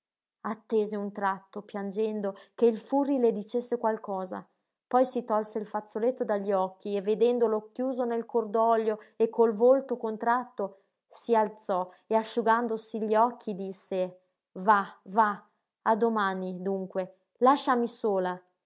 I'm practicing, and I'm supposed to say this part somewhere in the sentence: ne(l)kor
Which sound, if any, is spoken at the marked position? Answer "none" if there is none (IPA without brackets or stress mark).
l